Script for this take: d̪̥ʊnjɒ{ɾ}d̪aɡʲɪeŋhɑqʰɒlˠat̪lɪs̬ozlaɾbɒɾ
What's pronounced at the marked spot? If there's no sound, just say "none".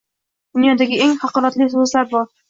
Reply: none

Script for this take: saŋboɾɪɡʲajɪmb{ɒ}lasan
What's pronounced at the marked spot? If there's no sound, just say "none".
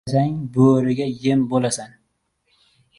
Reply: o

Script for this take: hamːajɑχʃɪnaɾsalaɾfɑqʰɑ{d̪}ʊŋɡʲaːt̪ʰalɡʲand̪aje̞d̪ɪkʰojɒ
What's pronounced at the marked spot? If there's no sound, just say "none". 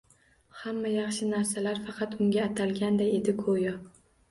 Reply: t̪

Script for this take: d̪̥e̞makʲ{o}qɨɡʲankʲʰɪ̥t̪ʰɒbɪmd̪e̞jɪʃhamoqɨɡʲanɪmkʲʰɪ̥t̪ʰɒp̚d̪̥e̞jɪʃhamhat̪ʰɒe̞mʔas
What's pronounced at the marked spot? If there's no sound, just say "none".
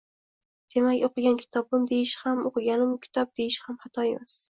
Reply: o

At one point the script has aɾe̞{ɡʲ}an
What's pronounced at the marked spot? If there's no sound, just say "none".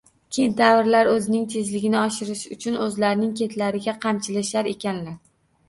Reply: kʲ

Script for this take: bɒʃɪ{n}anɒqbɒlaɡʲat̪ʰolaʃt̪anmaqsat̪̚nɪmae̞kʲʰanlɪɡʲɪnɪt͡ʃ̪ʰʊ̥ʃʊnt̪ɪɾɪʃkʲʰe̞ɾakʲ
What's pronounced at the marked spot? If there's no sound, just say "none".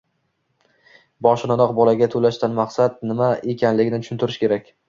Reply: n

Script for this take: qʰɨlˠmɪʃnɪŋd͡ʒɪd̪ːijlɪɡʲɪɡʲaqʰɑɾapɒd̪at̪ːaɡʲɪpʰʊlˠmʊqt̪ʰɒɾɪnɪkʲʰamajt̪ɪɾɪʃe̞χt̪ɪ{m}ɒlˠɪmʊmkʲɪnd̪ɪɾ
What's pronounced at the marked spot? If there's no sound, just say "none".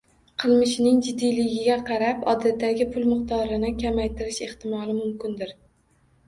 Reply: m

